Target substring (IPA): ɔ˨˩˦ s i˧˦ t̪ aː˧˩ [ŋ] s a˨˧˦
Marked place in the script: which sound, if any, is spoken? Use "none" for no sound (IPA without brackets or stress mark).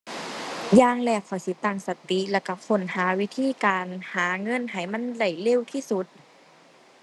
ŋ